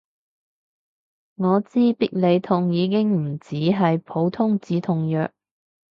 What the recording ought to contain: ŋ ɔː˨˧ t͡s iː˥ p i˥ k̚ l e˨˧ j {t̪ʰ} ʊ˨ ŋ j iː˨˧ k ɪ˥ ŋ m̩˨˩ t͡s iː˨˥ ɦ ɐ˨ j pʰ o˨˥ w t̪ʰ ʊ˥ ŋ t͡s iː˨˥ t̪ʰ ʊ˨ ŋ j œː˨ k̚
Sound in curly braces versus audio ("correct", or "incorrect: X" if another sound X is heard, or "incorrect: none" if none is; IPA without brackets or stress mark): correct